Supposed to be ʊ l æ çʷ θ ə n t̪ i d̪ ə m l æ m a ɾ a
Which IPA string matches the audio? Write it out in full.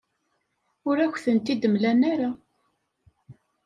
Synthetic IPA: ʊ ɾ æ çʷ θ ə n t̪ i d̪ ə m l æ n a ɾ a